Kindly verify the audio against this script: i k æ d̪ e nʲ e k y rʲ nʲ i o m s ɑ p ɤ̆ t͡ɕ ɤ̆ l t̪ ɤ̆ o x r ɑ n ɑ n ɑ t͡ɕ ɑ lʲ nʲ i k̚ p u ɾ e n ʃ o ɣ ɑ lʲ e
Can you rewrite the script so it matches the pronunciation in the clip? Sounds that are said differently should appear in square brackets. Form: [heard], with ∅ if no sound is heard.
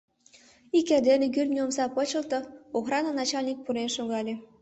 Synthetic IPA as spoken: i k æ d̪ e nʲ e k y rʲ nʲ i o m s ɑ p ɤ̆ t͡ɕ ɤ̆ l t̪ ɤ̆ o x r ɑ n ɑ n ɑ t͡ɕ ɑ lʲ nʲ i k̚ p u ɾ e n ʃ o ɣ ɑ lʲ e